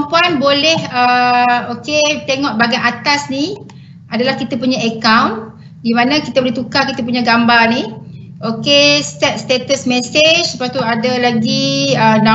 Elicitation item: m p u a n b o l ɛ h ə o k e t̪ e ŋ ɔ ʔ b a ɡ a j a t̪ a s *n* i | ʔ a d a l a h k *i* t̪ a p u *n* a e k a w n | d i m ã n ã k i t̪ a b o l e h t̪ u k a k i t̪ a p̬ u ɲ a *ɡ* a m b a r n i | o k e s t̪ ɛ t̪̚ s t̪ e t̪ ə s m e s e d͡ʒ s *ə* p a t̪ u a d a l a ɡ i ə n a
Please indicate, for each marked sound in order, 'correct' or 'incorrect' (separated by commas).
correct, correct, incorrect, correct, correct